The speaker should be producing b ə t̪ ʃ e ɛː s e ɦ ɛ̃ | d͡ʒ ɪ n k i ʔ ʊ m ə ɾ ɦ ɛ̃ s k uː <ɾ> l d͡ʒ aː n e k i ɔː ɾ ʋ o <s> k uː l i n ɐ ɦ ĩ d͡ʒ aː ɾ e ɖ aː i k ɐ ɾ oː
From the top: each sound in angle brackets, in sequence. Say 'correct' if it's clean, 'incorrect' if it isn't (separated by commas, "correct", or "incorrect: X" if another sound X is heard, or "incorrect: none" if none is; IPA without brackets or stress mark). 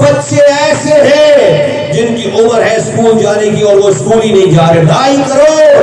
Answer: incorrect: none, correct